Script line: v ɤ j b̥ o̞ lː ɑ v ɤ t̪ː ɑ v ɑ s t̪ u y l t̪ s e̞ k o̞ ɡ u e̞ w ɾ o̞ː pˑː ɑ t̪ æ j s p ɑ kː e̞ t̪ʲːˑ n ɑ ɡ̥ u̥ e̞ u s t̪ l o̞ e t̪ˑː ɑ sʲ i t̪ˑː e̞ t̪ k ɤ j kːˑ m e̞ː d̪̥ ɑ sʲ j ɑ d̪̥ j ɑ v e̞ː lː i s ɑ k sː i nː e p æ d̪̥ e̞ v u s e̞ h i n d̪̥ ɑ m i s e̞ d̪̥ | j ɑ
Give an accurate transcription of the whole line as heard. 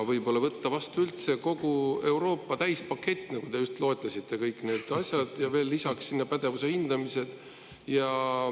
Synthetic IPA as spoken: v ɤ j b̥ o̞ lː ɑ v ɤ t̪ː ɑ v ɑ s t̪ u y l t̪ s e̞ k o̞ ɡ u e̞ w ɾ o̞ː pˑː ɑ t̪ æ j s p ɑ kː e̞ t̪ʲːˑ n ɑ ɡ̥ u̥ e̞ u s t̪ l o̞ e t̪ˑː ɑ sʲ i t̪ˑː e̞ k ɤ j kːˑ n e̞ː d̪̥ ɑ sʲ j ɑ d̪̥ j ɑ v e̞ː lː i s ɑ k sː i nː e p æ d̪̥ e̞ v u s e̞ h i n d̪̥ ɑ m i s e̞ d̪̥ | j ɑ